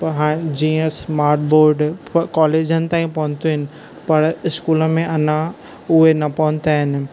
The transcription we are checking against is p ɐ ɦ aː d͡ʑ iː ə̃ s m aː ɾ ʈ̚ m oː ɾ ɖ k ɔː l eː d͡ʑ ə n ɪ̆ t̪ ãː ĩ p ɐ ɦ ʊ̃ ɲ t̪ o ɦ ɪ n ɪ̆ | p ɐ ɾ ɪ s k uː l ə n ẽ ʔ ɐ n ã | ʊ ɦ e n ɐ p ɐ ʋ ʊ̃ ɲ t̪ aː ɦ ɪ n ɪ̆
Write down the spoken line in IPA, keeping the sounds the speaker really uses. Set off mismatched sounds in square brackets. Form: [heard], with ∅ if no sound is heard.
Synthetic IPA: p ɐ ɦ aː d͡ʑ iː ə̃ s m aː ɾ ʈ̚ [b] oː ɾ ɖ k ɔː l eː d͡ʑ ə n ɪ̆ t̪ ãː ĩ p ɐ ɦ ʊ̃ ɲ t̪ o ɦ ɪ n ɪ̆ | p ɐ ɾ ɪ s k uː l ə [m] ẽ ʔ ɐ n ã | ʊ ɦ e n ɐ p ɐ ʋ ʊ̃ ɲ t̪ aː ɦ ɪ n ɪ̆